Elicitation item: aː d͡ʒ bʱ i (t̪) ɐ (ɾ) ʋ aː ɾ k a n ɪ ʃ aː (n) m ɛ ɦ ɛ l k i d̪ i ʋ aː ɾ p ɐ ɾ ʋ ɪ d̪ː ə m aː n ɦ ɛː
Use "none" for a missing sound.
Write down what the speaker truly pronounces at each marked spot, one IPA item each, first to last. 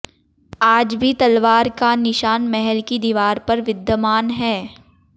t̪, l, n

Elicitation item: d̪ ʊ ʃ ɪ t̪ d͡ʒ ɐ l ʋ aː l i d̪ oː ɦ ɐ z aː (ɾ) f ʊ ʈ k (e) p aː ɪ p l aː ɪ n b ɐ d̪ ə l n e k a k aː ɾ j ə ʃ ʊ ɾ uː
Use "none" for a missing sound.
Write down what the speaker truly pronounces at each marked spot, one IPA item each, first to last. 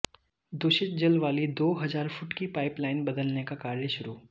ɾ, i

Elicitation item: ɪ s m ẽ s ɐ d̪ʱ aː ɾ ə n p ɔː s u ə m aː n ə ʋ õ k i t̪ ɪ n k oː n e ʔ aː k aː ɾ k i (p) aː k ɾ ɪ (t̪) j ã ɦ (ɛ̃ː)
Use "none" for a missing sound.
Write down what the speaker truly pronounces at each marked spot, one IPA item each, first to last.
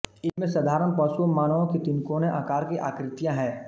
ʔ, t̪, ɛː

